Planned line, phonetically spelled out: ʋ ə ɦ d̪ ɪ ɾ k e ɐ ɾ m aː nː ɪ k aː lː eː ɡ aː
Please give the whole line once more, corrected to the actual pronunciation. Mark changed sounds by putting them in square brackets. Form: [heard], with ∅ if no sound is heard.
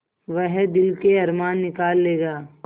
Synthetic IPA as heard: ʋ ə ɦ d̪ ɪ [l] k e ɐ ɾ m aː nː ɪ k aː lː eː ɡ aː